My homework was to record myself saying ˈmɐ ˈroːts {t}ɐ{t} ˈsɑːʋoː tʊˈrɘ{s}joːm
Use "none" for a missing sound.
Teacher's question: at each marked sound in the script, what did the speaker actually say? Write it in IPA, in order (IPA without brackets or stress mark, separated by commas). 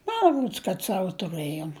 k, t, none